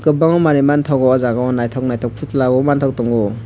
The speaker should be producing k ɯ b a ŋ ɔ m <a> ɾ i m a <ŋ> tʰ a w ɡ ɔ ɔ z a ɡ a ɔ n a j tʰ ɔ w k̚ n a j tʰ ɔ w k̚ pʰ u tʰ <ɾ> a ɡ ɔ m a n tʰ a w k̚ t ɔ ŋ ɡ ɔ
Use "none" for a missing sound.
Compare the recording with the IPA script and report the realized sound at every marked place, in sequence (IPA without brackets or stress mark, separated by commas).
a, n, l